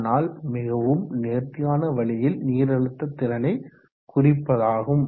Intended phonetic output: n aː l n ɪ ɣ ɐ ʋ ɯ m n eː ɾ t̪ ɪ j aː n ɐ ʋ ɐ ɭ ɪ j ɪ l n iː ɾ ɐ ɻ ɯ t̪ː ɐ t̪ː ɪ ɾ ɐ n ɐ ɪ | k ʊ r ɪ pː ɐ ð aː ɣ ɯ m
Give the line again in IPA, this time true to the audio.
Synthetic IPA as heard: n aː l m ɪ ɣ ɐ ʋ ɯ m n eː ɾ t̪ ɪ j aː n ɐ ʋ ɐ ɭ ɪ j ɪ l n iː ɾ ɐ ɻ ɯ t̪ː ɐ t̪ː ɪ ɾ ɐ n ɐ ɪ | k ʊ r ɪ pː ɐ ð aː ɣ ɯ m

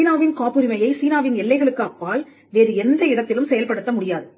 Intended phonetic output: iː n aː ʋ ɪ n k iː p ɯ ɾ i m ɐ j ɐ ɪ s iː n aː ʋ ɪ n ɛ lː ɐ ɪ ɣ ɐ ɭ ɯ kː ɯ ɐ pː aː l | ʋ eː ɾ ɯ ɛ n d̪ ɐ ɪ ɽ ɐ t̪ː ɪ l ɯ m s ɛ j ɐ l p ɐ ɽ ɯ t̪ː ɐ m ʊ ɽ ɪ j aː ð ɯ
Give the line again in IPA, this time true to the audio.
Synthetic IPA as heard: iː n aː ʋ ɪ n k aː p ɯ ɾ ɪ m ɐ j ɐ ɪ s iː n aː ʋ ɪ n ɛ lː ɐ ɪ ɣ ɐ ɭ ɯ kː ɯ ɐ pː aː l | ʋ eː ɾ ɯ ɛ n d̪ ɐ ɪ ɽ ɐ t̪ː ɪ l ɯ m s ɛ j ɐ l p ɐ ɽ ɯ t̪ː ɐ m ʊ ɽ ɪ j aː ð ɯ

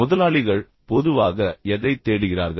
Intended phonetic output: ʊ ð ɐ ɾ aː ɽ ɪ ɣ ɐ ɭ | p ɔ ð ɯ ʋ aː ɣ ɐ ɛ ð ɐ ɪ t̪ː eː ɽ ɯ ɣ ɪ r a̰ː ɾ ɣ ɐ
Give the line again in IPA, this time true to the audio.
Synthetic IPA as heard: ʊ ð ɐ l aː ɭ ɪ ɣ ɐ ɭ | p ɔ ð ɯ ʋ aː ɣ ɐ ɛ ð ɐ ɪ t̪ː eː ɽ ɯ ɣ ɪ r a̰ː ɾ ɣ ɐ

